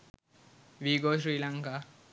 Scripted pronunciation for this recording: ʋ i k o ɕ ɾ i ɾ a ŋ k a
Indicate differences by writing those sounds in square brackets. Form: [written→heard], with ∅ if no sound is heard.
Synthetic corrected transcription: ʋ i [k→ɡ] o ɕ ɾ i [ɾ→l] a ŋ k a